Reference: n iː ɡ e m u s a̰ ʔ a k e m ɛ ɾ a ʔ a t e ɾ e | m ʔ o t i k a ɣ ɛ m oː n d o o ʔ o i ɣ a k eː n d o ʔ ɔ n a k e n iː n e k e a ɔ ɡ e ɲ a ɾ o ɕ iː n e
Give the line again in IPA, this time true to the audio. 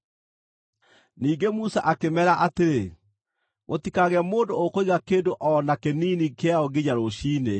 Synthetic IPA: n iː ɡ e m u s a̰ ʔ a k e m ɛ ɾ a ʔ a t e ɾ e | m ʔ o t i k a ɣ ɛ m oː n d o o k o i ɣ a k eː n d o ʔ ɔ n a k e n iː n i k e a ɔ ɡ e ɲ a ɾ o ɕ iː n e